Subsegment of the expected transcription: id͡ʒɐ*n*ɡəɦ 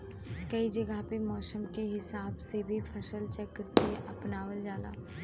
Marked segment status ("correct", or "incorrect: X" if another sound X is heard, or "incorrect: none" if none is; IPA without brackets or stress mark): incorrect: none